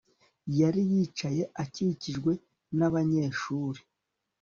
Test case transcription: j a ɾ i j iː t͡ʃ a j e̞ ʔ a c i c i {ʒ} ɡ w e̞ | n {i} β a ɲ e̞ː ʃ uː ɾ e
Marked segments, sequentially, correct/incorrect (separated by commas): correct, incorrect